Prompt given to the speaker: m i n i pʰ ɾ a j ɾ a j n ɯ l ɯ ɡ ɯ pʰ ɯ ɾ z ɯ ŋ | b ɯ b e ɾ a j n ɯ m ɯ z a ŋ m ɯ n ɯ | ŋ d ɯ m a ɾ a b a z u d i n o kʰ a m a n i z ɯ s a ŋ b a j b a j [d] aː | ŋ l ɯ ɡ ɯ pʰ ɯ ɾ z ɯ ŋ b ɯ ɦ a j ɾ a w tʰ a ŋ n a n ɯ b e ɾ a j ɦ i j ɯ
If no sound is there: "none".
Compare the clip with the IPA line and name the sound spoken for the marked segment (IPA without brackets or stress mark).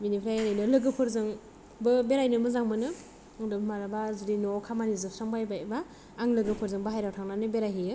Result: b